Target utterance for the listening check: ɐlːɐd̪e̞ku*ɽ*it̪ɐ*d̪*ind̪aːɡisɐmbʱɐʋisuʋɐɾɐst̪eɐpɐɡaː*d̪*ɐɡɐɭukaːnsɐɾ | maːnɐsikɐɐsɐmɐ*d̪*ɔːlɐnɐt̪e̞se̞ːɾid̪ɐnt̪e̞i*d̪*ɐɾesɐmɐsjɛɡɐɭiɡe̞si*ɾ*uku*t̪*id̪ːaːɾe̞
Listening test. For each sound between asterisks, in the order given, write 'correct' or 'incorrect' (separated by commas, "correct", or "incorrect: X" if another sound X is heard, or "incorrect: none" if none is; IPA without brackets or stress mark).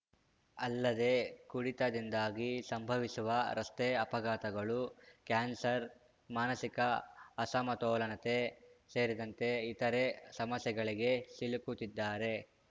correct, correct, incorrect: t̪, incorrect: t̪, incorrect: t̪, incorrect: l, correct